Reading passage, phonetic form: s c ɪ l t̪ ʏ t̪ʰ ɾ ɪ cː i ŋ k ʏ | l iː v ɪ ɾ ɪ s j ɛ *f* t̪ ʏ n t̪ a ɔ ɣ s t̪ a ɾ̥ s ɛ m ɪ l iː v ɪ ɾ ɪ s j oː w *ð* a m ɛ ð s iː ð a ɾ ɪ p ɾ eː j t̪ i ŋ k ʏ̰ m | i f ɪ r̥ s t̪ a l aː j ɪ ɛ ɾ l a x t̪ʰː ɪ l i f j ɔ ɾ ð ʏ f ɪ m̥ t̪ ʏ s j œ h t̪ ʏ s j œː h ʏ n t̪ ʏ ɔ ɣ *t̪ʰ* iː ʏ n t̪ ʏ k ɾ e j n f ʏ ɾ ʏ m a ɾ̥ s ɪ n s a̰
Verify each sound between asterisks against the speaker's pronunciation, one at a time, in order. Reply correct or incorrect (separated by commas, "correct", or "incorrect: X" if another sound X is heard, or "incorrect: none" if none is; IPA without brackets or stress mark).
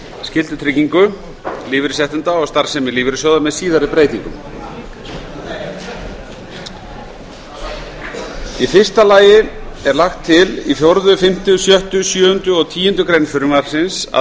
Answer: incorrect: h, correct, correct